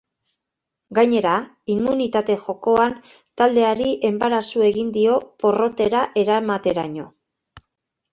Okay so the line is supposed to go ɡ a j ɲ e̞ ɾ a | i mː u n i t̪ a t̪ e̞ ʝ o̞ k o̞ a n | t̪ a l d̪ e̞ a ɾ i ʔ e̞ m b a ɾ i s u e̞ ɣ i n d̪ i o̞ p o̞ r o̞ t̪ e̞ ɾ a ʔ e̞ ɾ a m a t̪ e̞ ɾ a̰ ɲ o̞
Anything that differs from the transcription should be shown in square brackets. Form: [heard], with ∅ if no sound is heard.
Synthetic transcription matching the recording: ɡ a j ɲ e̞ ɾ a | i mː u n i t̪ a t̪ e̞ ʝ o̞ k o̞ a n | t̪ a l d̪ e̞ a ɾ i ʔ e̞ m b a ɾ [a] s u e̞ ɣ i n d̪ i o̞ p o̞ r o̞ t̪ e̞ ɾ a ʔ e̞ ɾ a m a t̪ e̞ ɾ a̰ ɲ o̞